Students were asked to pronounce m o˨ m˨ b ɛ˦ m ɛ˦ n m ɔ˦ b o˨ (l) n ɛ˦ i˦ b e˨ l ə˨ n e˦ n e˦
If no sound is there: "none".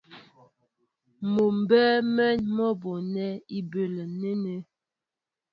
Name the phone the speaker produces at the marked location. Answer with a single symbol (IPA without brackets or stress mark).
none